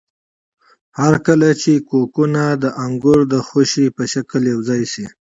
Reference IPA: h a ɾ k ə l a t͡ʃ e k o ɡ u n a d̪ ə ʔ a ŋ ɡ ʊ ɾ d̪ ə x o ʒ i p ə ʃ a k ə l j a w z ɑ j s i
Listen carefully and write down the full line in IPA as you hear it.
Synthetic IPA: h a ɾ k ə l a t͡ʃ e k o k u n a d̪ ə ʔ a ŋ ɡ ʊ ɾ d̪ ə x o ʃ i p ə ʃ a k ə l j a w z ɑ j s i